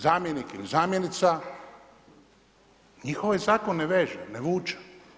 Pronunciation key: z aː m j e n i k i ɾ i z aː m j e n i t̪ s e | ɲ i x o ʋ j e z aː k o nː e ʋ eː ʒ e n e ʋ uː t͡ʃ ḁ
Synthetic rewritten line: z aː m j e n i k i l i z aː m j e n i t̪ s a | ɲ i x o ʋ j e z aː k o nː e ʋ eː ʒ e n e ʋ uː t͡ʃ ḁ